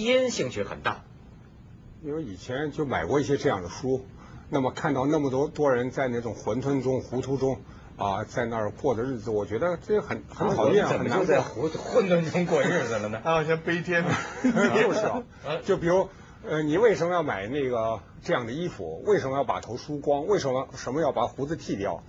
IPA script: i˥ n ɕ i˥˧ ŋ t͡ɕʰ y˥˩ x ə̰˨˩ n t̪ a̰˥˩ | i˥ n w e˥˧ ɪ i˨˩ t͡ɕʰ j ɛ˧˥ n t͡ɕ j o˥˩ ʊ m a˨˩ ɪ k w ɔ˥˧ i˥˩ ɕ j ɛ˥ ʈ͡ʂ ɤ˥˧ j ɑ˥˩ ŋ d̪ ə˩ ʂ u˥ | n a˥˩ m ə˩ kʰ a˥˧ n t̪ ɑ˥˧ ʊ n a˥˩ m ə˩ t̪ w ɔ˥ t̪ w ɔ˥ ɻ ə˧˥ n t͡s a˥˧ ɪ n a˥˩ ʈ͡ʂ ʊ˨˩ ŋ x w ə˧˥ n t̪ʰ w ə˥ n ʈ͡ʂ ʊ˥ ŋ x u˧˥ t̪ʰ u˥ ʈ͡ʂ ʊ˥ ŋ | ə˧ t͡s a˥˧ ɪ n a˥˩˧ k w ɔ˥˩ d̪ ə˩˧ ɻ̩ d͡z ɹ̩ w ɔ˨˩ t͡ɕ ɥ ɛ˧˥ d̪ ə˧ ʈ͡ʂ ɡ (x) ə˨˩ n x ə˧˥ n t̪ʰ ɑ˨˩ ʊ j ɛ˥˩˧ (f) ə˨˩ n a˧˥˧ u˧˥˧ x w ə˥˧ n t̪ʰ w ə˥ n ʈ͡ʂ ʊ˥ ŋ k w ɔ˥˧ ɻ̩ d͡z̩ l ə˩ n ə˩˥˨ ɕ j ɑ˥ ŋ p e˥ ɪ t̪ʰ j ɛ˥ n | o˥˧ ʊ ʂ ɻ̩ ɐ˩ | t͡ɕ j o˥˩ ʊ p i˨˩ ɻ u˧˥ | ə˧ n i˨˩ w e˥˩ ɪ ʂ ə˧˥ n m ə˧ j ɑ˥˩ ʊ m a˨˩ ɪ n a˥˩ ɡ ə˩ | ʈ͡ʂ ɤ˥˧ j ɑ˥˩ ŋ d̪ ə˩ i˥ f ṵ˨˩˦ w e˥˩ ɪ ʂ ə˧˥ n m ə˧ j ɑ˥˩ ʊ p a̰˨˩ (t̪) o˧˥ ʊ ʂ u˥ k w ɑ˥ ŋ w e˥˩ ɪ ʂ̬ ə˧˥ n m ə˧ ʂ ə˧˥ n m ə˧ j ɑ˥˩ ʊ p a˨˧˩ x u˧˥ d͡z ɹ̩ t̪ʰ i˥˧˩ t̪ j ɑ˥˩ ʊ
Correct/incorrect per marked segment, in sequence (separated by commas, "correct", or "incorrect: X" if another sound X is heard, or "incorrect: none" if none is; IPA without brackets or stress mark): correct, incorrect: x, incorrect: t̪ʰ